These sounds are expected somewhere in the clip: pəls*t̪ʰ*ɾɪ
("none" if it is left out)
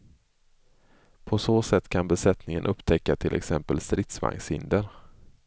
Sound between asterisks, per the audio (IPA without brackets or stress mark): t̪